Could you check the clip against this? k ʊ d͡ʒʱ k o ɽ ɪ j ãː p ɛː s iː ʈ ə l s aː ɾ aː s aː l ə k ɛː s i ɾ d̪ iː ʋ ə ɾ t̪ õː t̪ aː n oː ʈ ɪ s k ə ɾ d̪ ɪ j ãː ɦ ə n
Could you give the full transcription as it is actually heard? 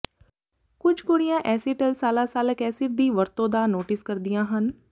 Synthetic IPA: k ʊ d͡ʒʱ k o ɽ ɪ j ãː ʔ ɛː s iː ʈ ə l s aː l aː s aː l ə k ɛː s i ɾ d̪ iː ʋ ə ɾ t̪ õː d̪ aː n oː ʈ ɪ s k ə ɾ d̪ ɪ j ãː ɦ ə n